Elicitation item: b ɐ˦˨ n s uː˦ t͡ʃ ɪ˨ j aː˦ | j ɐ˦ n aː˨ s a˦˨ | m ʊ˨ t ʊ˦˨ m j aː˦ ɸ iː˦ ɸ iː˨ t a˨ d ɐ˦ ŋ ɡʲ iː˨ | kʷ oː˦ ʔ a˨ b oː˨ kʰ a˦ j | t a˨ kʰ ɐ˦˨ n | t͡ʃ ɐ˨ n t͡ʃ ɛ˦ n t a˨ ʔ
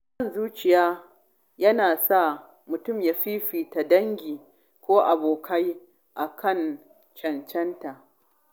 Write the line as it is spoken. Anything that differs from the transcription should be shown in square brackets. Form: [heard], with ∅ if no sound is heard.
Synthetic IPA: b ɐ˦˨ n [z] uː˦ t͡ʃ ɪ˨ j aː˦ | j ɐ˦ n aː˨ s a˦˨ | m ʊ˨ t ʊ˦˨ m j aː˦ ɸ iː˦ ɸ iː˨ t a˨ d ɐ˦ ŋ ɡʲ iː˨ | kʷ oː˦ ʔ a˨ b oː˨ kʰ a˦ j | [ʔ] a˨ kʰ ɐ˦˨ n | t͡ʃ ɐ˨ n t͡ʃ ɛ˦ n t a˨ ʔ